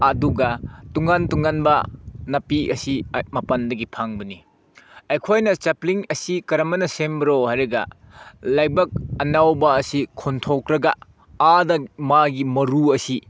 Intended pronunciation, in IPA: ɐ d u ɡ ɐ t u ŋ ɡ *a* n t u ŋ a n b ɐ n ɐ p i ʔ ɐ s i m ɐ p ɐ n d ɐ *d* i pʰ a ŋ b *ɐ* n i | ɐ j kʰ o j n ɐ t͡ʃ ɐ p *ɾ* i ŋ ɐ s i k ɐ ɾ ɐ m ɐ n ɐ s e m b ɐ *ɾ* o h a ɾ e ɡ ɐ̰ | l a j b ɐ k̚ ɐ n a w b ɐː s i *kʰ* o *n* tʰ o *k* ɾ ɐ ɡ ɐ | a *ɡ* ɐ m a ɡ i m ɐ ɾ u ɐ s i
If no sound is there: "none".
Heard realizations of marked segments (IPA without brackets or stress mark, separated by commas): a, ɡ, ɐ, l, ɾ, kʰ, n, k, d